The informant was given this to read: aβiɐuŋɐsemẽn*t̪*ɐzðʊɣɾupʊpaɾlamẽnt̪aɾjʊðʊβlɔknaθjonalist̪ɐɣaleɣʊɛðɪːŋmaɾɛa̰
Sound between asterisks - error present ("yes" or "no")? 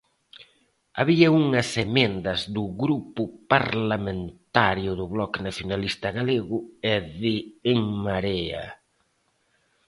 yes